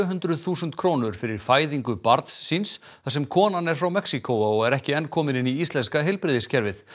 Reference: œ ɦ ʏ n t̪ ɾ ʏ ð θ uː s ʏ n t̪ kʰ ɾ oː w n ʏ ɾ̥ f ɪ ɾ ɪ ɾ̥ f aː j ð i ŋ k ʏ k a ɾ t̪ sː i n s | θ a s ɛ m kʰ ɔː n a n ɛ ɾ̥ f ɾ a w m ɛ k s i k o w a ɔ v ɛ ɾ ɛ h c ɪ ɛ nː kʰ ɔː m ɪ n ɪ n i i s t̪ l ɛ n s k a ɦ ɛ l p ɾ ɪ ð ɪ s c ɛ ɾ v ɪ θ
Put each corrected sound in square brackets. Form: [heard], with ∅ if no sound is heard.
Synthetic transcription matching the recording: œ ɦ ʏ n t̪ ɾ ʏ ð θ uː s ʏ n t̪ kʰ ɾ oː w n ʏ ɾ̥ f ɪ ɾ ɪ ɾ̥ f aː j ð i ŋ k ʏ [p] a ɾ t̪ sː i n s | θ a s ɛ m kʰ ɔː n a n ɛ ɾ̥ f ɾ a w m ɛ k s i k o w a ɔ [ɣ] ɛ ɾ ɛ h c ɪ ɛ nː kʰ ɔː m ɪ n ɪ n i i s t̪ l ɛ n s k a ɦ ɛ l p ɾ ɪ ð ɪ s c ɛ ɾ v ɪ θ

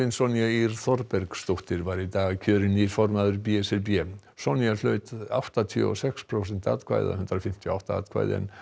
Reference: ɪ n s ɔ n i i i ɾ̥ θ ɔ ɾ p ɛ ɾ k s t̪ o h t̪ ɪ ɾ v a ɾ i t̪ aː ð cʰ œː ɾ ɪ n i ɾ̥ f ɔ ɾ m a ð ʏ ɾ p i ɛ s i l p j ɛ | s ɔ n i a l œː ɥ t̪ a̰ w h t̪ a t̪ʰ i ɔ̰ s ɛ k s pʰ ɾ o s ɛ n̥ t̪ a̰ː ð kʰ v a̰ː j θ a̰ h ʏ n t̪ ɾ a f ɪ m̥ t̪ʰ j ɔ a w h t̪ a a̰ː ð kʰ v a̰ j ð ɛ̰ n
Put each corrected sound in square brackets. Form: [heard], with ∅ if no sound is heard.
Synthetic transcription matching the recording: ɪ n s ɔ n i [a] i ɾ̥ θ ɔ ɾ p ɛ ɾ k s t̪ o h t̪ ɪ ɾ v a ɾ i t̪ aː [ɣ] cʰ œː ɾ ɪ n i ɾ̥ f ɔ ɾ m a ð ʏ ɾ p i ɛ s [ɛ] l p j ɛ | s ɔ n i a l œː ɥ t̪ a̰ w h t̪ a t̪ʰ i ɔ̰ s ɛ k s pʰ ɾ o s ɛ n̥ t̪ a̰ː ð kʰ v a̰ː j [ð] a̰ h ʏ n t̪ ɾ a f ɪ m̥ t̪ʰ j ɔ a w h t̪ a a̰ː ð kʰ v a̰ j ð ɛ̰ n

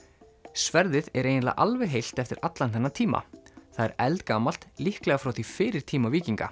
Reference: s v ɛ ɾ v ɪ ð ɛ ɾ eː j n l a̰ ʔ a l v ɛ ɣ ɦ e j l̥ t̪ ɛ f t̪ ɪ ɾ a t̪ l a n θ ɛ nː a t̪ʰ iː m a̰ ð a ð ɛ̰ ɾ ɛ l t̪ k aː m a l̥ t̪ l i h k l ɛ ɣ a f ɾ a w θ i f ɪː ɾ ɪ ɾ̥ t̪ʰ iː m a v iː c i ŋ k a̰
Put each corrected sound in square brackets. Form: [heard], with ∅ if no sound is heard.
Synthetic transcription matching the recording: s v ɛ ɾ [ð] ɪ ð ɛ ɾ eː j n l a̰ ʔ a l v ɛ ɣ ɦ e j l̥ t̪ ɛ f t̪ ɪ ɾ a t̪ l a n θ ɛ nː a t̪ʰ iː m a̰ [θ] a ð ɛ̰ ɾ ɛ l t̪ k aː m a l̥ t̪ l i h k l ɛ ɣ a f ɾ a w θ i f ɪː ɾ ɪ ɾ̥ t̪ʰ iː m a v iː c i ŋ k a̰

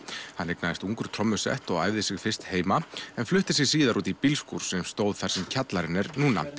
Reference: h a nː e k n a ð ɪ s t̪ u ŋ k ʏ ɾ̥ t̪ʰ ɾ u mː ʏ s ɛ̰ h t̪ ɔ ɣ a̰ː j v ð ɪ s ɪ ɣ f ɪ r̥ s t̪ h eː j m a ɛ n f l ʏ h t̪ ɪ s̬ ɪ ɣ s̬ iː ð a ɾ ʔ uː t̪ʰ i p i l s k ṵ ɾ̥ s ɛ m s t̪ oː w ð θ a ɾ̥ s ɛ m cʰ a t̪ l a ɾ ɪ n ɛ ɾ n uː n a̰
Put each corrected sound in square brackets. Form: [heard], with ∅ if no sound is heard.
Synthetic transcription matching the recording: h a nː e k n a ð ɪ s t̪ u ŋ k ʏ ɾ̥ t̪ʰ ɾ [ɔ] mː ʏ s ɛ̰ h t̪ ɔ ɣ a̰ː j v ð ɪ s ɪ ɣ f ɪ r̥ s t̪ h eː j m a ɛ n f l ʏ h t̪ ɪ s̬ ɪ ɣ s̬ iː ð a ɾ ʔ uː [t̪] i p i l s k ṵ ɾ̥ s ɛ m s t̪ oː w ð θ a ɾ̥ s ɛ m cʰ a t̪ l a ɾ ɪ n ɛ ɾ n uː n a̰

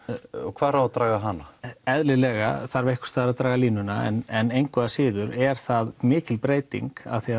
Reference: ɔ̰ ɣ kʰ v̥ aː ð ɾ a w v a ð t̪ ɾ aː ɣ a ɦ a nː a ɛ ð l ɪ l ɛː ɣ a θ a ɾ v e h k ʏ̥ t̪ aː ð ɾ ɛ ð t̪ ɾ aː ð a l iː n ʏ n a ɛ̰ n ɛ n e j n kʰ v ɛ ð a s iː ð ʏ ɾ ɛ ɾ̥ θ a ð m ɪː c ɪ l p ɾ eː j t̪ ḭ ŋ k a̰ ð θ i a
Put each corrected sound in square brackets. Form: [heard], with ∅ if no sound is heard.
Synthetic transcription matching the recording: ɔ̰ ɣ kʰ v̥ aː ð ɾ a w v a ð t̪ ɾ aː ɣ a ɦ a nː a ɛ ð l ɪ l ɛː ɣ a θ a ɾ v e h k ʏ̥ t̪ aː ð ɾ [a] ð t̪ ɾ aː [ɣ] a l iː n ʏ n a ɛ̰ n ɛ n e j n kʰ v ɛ ð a s [ɪː] ð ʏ ɾ ɛ ɾ̥ θ a ð m ɪː c ɪ l p ɾ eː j t̪ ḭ ŋ k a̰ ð θ i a

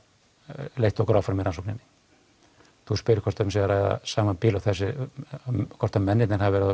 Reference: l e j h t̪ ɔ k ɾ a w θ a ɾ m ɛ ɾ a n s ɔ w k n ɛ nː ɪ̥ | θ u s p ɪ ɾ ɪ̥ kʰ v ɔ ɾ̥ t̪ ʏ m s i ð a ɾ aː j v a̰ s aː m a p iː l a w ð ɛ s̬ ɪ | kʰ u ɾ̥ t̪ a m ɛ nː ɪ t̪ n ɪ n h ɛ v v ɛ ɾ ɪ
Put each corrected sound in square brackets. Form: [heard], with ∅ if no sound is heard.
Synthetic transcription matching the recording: l e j h t̪ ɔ k ɾ a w [f] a ɾ m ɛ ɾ a n s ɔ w k n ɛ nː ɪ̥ | θ u s p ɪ ɾ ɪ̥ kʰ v ɔ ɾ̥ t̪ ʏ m s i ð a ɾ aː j [ð] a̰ s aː m a p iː l a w [θ] ɛ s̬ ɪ | kʰ [ɔ] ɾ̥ t̪ a m ɛ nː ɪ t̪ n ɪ n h [a] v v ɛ ɾ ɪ

